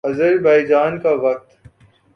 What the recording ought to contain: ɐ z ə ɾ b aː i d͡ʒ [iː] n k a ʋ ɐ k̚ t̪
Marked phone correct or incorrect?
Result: incorrect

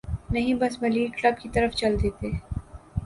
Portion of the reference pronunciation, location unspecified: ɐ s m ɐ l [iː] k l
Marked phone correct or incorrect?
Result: correct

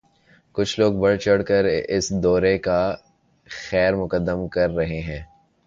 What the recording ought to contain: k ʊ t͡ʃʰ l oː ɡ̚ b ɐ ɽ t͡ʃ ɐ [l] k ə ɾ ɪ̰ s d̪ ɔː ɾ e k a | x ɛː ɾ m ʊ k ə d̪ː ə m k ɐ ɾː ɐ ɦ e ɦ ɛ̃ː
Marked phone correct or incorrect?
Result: incorrect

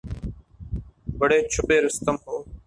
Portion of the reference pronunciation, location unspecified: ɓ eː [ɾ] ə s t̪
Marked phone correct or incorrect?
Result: correct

